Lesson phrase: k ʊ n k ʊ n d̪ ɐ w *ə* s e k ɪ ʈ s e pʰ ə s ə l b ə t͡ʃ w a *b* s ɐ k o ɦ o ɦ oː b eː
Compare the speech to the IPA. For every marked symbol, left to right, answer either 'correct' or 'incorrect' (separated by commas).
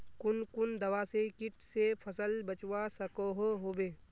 incorrect, incorrect